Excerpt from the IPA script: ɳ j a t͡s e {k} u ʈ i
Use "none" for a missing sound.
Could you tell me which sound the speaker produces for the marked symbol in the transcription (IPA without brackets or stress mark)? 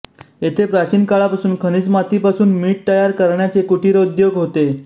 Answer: k